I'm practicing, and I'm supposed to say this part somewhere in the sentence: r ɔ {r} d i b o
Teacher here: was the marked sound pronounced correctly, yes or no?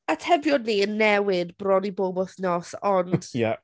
no